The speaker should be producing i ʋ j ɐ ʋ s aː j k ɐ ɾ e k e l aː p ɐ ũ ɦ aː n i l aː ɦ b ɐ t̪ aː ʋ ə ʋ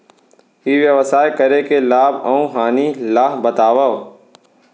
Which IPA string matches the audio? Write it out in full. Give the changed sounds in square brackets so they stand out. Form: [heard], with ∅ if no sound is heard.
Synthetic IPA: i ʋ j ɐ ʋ s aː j k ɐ ɾ e k e l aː [b] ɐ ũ ɦ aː n i l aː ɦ b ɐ t̪ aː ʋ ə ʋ